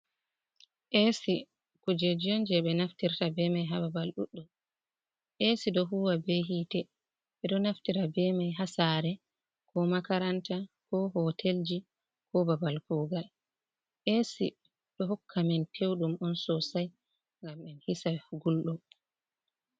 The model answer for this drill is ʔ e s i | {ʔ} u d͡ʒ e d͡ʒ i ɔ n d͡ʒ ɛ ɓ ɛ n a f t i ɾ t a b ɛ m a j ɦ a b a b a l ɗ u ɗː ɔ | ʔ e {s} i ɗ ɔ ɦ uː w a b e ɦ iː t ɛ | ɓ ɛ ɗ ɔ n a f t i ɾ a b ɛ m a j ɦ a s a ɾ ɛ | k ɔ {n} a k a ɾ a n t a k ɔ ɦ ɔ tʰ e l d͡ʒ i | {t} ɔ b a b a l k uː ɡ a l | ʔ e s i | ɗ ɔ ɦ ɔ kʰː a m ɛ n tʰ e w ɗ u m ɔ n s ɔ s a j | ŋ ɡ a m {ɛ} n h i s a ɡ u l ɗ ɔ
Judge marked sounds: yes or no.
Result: no, yes, no, no, yes

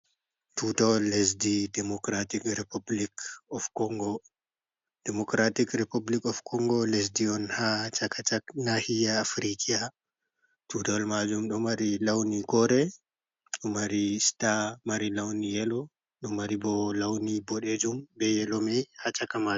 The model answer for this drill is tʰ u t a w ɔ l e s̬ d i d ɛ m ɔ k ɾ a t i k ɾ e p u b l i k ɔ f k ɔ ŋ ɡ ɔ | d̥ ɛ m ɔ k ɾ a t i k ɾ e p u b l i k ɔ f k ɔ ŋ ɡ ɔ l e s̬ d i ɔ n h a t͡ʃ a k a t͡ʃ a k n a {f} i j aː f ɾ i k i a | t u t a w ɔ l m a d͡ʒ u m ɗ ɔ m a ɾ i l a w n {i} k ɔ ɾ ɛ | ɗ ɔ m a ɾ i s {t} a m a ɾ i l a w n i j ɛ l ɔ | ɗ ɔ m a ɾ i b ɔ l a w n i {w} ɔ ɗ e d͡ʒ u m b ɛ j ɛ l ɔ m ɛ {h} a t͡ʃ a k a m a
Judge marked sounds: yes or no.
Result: no, yes, yes, no, yes

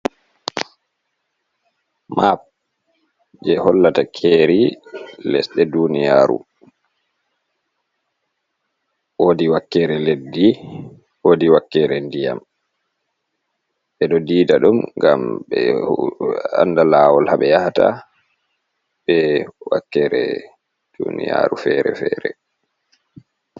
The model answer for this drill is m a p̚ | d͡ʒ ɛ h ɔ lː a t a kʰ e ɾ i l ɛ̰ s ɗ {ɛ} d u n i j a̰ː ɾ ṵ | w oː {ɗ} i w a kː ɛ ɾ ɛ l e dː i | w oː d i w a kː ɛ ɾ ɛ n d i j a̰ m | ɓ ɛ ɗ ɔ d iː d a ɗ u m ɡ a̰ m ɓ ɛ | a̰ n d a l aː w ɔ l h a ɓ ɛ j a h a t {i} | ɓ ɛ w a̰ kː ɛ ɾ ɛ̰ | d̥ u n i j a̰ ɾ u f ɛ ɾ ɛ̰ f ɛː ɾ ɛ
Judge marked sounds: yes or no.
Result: yes, no, no

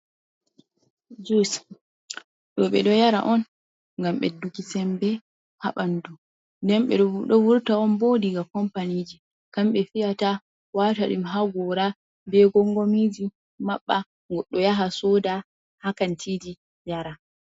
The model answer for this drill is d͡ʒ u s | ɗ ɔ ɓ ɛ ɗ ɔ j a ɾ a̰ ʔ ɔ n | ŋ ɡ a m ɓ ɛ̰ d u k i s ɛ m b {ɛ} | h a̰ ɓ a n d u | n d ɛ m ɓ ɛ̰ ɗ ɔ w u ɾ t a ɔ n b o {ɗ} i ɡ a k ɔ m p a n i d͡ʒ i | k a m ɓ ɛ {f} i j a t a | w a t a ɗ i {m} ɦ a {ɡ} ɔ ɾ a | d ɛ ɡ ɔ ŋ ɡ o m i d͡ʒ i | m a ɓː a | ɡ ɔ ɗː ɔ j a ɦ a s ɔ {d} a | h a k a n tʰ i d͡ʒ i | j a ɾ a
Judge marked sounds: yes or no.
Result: yes, no, yes, yes, yes, yes

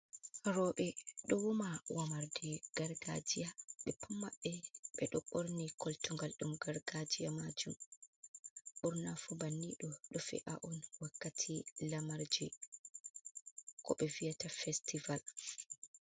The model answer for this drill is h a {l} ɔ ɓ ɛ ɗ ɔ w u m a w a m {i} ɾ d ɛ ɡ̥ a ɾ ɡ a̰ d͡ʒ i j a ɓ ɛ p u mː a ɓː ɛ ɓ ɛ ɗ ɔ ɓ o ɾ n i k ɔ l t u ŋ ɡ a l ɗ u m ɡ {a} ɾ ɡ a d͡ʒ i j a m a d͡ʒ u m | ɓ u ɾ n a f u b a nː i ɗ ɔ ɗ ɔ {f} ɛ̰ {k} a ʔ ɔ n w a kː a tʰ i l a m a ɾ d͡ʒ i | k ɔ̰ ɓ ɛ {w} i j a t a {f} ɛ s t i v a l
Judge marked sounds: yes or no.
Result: no, no, yes, yes, no, no, yes

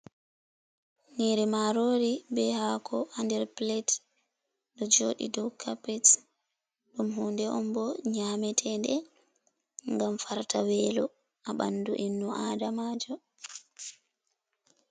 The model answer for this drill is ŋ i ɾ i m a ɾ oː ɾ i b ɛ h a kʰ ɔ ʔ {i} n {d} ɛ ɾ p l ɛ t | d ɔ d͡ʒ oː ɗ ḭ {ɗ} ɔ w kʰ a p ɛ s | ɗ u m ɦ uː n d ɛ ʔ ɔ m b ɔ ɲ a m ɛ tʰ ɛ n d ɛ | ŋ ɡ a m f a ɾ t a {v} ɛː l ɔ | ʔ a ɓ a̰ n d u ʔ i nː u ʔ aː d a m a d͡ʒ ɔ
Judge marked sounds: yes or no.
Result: no, yes, no, no

